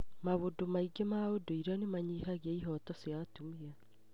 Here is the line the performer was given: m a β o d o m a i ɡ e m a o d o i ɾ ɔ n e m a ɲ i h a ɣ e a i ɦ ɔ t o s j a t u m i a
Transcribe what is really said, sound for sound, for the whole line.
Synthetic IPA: m a β o d o m a i ɡ e m a o d o i ɾ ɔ n e m a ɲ i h a ɣ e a i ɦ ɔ t ɔ s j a t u m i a